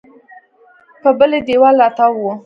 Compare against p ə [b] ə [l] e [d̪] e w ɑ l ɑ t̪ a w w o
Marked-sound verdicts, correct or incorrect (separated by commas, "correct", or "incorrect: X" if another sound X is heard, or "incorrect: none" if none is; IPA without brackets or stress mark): correct, correct, correct